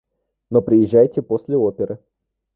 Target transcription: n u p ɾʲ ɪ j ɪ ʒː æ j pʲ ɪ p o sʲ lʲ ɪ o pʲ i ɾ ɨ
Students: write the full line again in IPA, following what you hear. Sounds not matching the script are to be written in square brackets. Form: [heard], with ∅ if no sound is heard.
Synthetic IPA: n [o] p ɾʲ ɪ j ɪ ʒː æ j [tʲ] ɪ p o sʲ lʲ ɪ o pʲ [ɪ] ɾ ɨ

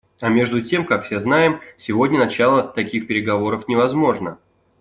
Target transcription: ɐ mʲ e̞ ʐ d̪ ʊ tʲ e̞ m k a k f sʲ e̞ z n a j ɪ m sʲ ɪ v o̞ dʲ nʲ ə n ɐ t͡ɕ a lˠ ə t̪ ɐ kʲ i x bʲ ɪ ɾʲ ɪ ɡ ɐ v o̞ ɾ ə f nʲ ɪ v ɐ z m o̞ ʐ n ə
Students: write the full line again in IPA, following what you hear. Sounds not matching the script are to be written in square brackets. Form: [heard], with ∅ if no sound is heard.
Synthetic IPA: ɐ mʲ e̞ ʐ d̪ ʊ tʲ e̞ m k a k f sʲ e̞ z n a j ɪ m sʲ ɪ v o̞ dʲ nʲ ə n ɐ t͡ɕ a lˠ ə t̪ ɐ kʲ i x [pʲ] ɪ ɾʲ ɪ ɡ ɐ v o̞ ɾ ə f nʲ ɪ v ɐ z m o̞ ʐ n ə

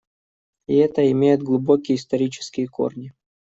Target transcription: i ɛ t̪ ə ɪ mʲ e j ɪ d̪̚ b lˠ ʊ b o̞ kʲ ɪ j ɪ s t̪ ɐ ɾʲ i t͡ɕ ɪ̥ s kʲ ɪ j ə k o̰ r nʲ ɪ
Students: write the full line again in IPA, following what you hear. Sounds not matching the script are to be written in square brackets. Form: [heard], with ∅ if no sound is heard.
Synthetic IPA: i ɛ t̪ ə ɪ mʲ e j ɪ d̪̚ [ɡ] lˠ ʊ b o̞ kʲ ɪ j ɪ s t̪ ɐ ɾʲ i t͡ɕ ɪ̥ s kʲ ɪ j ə k o̰ r nʲ ɪ

